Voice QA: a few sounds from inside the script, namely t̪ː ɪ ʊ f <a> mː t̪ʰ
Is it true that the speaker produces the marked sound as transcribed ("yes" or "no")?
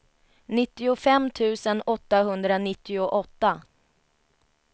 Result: no